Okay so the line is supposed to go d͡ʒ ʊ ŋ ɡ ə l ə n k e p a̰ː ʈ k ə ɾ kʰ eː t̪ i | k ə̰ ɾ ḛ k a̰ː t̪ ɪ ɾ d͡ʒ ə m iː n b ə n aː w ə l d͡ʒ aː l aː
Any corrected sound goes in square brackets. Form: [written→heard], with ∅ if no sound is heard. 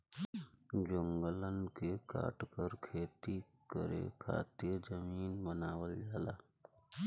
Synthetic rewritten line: d͡ʒ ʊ ŋ ɡ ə l ə n k e [p→k] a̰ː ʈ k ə ɾ kʰ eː t̪ i | k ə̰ ɾ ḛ [k→kʰ] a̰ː t̪ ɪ ɾ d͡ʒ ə m iː n b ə n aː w ə l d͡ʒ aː l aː